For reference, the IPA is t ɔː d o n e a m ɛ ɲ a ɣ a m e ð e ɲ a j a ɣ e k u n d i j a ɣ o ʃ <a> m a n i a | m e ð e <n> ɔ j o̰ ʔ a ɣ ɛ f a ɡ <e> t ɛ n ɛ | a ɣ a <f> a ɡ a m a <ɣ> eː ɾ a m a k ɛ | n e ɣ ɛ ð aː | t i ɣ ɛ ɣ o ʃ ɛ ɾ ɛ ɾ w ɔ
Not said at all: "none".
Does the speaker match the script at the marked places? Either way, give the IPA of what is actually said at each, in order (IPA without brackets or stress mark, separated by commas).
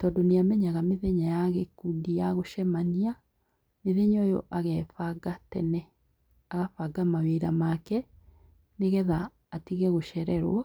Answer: ɛ, ɲ, a, f, w